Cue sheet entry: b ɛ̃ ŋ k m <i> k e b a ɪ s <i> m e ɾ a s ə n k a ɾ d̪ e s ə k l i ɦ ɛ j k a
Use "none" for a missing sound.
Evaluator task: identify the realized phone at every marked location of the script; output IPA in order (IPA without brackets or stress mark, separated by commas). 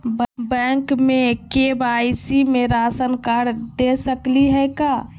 e, i